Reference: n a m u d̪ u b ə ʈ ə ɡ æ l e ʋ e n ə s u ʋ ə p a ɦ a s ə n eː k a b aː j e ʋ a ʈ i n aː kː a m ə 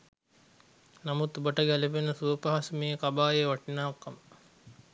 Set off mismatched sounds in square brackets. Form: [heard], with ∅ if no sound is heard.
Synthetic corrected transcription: n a m u [t̪] u b ə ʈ ə ɡ æ l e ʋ e n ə s u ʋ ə p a ɦ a s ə [m] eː k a b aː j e ʋ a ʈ i n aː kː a m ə